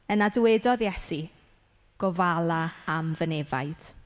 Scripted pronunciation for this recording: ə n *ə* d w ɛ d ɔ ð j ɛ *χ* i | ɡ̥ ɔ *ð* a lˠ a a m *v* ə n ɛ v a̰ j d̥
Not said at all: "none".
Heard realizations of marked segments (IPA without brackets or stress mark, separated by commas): a, s, v, v